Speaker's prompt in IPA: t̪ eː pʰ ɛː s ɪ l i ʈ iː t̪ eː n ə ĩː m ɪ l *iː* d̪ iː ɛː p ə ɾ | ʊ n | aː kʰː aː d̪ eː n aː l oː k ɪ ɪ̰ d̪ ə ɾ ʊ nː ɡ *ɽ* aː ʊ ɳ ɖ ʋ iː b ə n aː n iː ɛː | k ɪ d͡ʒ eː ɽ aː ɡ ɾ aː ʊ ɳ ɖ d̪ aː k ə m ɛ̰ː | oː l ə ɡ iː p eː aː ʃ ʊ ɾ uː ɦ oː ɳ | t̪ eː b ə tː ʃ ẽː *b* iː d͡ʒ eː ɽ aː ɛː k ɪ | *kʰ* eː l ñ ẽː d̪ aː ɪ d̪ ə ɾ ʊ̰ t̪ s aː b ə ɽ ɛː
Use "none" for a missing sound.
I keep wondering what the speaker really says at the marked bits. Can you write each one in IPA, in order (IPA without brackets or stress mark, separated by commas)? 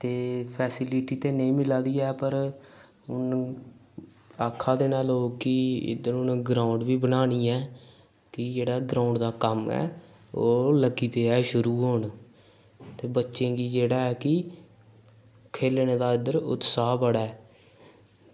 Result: aː, ɾ, ɡ, kʰ